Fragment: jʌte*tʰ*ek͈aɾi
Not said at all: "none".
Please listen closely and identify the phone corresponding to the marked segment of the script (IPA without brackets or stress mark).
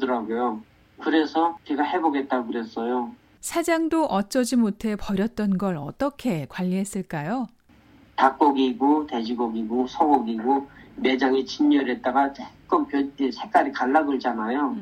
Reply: sʰ